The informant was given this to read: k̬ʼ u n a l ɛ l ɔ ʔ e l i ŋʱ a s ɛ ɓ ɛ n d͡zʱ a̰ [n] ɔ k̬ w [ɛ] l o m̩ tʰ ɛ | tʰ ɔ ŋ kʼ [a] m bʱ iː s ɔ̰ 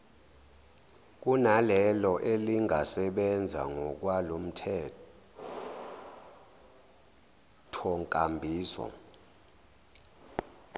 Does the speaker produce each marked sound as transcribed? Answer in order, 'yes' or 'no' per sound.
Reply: no, no, yes

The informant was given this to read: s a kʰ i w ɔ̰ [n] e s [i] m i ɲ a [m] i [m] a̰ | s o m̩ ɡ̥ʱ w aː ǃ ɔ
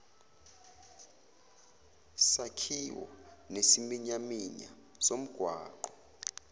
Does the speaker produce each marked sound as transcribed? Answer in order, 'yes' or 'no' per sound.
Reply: yes, yes, yes, no

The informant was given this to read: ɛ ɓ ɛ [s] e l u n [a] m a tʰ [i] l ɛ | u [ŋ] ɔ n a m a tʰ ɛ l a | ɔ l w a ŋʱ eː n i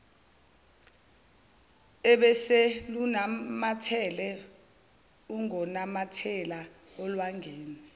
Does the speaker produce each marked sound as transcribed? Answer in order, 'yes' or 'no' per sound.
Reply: yes, yes, no, yes

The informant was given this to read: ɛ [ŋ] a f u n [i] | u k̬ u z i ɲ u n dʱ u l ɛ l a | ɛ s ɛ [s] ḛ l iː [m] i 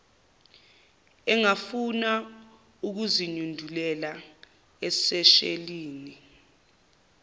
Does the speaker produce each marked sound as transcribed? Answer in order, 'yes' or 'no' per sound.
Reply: yes, no, no, no

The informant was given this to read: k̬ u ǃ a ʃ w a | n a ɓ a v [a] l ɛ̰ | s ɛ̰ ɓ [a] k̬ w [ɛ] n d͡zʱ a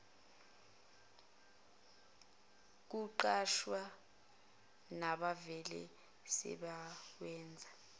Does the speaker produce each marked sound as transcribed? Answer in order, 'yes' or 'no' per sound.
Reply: no, yes, no

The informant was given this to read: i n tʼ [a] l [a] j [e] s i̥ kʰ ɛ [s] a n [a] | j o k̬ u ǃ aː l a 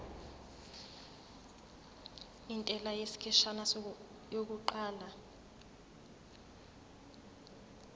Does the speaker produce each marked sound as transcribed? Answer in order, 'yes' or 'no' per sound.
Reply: no, yes, yes, no, yes

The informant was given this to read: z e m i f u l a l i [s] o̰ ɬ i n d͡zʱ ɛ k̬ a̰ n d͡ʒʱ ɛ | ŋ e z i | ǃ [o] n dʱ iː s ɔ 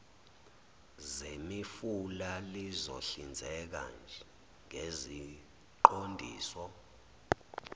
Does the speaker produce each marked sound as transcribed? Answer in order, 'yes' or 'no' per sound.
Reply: no, yes

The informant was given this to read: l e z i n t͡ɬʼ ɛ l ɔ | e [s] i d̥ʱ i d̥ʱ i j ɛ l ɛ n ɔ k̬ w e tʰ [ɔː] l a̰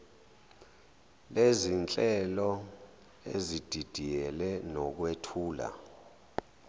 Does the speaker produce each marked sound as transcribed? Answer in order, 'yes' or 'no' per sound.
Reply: no, no

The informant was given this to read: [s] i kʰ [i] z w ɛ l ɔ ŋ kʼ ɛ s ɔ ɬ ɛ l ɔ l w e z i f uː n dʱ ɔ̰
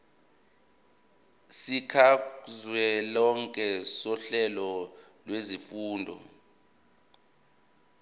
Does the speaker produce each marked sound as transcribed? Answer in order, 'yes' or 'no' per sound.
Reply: yes, no

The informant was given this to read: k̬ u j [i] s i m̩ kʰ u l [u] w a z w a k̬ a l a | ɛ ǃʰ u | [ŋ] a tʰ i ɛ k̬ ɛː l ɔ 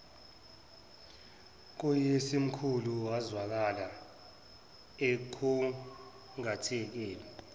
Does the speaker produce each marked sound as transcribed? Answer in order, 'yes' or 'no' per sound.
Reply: no, yes, yes

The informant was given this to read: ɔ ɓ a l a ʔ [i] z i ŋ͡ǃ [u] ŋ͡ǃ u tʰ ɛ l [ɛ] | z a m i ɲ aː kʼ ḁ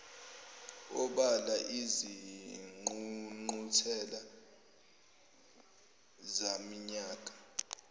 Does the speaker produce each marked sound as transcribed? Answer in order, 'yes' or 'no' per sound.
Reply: yes, yes, no

